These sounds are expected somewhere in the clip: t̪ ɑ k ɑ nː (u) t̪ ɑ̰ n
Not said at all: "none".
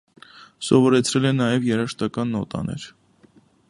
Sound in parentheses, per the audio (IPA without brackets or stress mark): ɔ